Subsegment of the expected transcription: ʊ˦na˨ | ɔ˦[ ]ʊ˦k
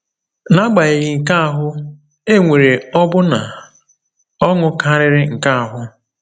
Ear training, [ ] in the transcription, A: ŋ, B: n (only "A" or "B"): A